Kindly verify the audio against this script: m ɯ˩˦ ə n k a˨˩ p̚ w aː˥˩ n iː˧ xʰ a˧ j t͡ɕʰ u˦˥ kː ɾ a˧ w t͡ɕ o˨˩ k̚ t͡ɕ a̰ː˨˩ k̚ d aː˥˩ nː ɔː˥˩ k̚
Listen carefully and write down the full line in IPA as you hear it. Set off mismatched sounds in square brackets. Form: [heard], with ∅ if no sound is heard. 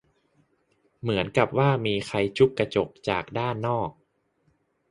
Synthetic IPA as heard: m ɯ˩˦ ə n k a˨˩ p̚ w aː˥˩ [m] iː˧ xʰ a˧ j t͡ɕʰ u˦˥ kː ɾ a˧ [∅] t͡ɕ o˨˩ k̚ t͡ɕ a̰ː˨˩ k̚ d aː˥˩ nː ɔː˥˩ k̚